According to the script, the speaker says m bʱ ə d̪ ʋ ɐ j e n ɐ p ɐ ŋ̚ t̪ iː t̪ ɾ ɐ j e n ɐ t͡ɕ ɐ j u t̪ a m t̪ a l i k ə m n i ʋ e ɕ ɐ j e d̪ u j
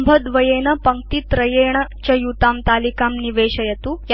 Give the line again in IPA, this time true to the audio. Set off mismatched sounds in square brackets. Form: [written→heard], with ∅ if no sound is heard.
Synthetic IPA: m bʱ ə d̪ ʋ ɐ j e n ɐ p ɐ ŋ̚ t̪ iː t̪ ɾ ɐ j e [n→ɳ] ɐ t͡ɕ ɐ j u t̪ a m t̪ a l i k [ə→a] m n i ʋ e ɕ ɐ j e [d̪→t̪] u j

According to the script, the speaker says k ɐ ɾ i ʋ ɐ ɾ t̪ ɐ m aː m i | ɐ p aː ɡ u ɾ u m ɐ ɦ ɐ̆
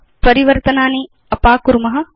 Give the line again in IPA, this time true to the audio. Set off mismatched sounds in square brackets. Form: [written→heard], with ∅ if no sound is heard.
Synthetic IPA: [k→p] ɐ ɾ i ʋ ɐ ɾ t̪ ɐ [m→n] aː [m→n] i | ɐ p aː [ɡ→k] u ɾ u m ɐ ɦ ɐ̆

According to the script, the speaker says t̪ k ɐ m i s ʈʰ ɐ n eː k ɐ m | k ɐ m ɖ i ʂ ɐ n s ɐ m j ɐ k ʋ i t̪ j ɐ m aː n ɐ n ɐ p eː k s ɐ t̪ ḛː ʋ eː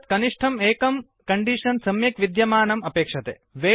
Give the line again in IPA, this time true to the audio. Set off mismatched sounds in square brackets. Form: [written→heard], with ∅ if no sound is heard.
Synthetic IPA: t̪ k ɐ [m→n] i [s→ʂ] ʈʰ ɐ [n→m] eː k ɐ m | k ɐ [m→ɳ] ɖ i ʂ ɐ n s ɐ m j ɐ k ʋ i [t̪→d̪] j ɐ m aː n ɐ [n→m] ɐ p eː k [s→ʂ] ɐ t̪ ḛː ʋ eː

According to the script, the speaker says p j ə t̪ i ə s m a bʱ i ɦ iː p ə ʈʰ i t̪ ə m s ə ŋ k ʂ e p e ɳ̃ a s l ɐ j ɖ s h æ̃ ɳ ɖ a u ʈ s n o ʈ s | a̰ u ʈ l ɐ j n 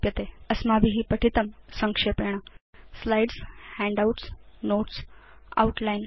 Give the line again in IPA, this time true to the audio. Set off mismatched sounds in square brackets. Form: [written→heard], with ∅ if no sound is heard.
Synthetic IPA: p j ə t̪ [i→e] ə s m a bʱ i ɦ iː p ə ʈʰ i t̪ ə m s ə ŋ k ʂ e p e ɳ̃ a s l [ɐ→a] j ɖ s h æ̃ ɳ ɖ a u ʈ s n o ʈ s | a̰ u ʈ l [ɐ→a] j n

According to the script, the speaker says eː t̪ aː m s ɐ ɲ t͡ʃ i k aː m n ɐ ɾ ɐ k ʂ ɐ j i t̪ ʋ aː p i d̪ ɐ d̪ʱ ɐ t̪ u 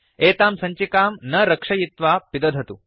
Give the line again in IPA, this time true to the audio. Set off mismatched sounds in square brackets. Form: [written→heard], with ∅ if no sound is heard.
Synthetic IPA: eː t̪ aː m s ɐ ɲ t͡ʃ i k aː m n ɐ ɾ ɐ k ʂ ɐ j i t̪ ʋ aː p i d̪ ɐ d̪ʱ ɐ t̪ u

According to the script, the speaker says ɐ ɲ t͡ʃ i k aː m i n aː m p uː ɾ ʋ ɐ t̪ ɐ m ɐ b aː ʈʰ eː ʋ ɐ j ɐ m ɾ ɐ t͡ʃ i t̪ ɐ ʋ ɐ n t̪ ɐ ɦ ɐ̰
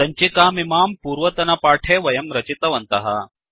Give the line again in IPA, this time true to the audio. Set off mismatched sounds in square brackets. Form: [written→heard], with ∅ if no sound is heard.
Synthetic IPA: ɐ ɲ t͡ʃ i k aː m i [n→m] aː m p uː ɾ ʋ ɐ t̪ ɐ [m→n] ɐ [b→p] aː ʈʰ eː ʋ ɐ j ɐ m ɾ ɐ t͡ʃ i t̪ ɐ ʋ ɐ n t̪ ɐ ɦ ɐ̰

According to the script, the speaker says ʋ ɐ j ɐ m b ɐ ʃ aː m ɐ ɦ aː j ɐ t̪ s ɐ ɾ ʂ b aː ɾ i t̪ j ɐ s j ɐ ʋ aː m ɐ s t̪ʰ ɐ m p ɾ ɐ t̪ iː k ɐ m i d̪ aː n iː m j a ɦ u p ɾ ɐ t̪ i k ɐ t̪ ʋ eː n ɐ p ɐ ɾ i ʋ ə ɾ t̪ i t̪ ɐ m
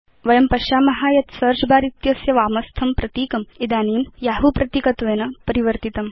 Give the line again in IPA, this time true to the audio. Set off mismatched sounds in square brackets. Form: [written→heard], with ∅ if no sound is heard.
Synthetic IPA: ʋ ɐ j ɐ m [b→p] ɐ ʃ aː m ɐ ɦ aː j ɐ t̪ s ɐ ɾ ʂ b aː ɾ i t̪ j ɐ s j ɐ ʋ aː m ɐ s t̪ʰ ɐ m p ɾ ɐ t̪ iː k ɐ m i d̪ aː n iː m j a ɦ u p ɾ ɐ t̪ i k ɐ t̪ ʋ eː n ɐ p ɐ ɾ i ʋ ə ɾ t̪ i t̪ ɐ m

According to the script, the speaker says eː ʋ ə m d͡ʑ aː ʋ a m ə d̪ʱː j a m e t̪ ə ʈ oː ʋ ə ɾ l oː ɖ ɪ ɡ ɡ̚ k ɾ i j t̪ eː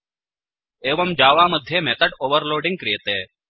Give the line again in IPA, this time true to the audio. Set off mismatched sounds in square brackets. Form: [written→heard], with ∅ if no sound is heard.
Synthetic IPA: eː ʋ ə m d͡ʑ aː ʋ a m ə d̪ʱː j [a→e] m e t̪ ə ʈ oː ʋ ə ɾ l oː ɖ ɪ [ɡ→ŋ] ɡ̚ k ɾ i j t̪ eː

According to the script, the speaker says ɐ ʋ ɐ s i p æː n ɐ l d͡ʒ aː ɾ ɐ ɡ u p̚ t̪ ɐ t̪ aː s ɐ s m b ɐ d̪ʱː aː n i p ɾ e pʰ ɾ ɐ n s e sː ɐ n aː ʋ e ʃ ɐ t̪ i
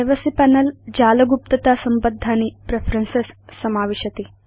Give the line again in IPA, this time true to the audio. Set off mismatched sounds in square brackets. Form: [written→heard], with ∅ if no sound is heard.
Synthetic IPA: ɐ ʋ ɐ s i p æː n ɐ l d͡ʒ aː [ɾ→l] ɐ ɡ u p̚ t̪ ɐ t̪ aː s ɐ [s→∅] m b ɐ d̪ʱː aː n i p ɾ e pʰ ɾ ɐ n s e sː ɐ [n→m] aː ʋ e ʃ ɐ t̪ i

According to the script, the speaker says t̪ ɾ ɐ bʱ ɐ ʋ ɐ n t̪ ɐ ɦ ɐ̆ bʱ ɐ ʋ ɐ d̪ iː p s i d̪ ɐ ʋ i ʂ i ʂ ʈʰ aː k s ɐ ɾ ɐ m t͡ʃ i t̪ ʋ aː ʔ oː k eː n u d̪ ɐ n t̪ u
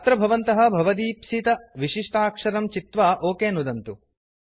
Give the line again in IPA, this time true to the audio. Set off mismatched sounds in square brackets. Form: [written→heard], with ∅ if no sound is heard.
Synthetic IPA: t̪ ɾ ɐ bʱ ɐ ʋ ɐ n t̪ ɐ ɦ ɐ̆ bʱ ɐ ʋ ɐ d̪ iː p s i [d̪→t̪] ɐ ʋ i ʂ i ʂ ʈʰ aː k [s→ʂ] ɐ ɾ ɐ m t͡ʃ i t̪ ʋ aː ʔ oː k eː n u d̪ ɐ n t̪ u

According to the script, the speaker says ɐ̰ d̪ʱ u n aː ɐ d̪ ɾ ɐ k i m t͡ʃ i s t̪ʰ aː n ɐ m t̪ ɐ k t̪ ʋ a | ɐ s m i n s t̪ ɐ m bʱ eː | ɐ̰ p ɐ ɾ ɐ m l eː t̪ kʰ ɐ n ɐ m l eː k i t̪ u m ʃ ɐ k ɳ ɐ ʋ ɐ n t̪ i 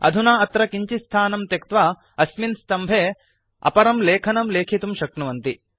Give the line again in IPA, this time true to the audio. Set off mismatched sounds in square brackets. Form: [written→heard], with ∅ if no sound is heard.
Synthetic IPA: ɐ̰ d̪ʱ u n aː ɐ [d̪→t̪] ɾ ɐ k i [m→ɲ] t͡ʃ i s t̪ʰ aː n ɐ m t̪ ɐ k t̪ ʋ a | ɐ s m i n s t̪ ɐ m bʱ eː | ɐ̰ p ɐ ɾ ɐ m l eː [t̪→∅] kʰ ɐ n ɐ m l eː [k→kʰ] i t̪ u m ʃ ɐ k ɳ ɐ ʋ ɐ n t̪ i

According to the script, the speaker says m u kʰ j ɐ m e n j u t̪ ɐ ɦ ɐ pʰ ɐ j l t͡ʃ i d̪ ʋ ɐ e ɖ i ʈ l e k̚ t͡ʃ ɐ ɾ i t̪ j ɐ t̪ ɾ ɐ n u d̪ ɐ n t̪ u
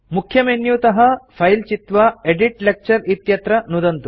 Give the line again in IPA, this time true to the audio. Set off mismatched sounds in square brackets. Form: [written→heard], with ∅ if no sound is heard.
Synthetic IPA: m u kʰ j ɐ m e n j u t̪ ɐ ɦ ɐ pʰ ɐ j l t͡ʃ i [d̪→t̪] ʋ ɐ e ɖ i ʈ l e k̚ t͡ʃ ɐ ɾ i t̪ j ɐ t̪ ɾ ɐ n u d̪ ɐ n t̪ u

